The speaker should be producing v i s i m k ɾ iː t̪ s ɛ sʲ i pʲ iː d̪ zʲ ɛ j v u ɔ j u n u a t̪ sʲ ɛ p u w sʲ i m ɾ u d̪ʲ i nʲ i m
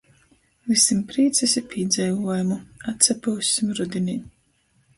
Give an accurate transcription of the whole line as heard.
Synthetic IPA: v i s i m p ɾ iː t̪ s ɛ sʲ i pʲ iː d̪ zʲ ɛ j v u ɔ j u m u a t̪ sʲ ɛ p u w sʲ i m ɾ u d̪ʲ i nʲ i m

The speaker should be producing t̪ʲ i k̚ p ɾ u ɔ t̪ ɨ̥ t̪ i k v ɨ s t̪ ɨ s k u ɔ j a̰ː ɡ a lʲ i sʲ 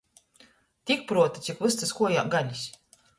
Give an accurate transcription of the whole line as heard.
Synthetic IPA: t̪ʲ i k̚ p ɾ u ɔ t̪ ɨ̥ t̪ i k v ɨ s t̪ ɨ s k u ɔ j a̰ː ɡ a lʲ i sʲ

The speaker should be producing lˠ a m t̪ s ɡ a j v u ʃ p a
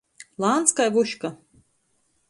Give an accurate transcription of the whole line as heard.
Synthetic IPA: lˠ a n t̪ s k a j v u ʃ k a

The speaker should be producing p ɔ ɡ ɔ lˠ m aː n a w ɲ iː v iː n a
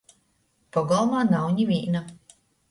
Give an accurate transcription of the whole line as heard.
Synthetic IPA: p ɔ ɡ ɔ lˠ m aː n a w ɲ i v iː n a

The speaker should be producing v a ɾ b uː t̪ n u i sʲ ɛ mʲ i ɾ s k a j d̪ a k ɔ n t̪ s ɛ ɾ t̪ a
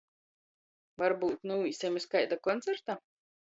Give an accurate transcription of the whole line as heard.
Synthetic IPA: v a ɾ b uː t̪ n u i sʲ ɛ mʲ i s k a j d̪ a k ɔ n t̪ s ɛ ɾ t̪ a

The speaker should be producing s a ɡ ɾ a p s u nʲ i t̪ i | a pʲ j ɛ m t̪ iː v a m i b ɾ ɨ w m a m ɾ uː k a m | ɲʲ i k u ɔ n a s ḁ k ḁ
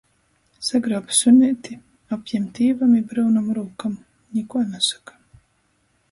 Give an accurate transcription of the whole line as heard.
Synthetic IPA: s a ɡ ɾ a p s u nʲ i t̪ i | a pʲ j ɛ m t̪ iː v a m i b ɾ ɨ w n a m ɾ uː k a m | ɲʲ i k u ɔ n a s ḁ k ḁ

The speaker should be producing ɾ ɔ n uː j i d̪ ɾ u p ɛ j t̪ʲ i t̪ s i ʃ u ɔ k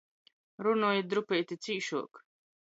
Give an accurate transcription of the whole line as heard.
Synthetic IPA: ɾ u n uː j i d̪ ɾ u p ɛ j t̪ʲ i t̪ s iː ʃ u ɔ k

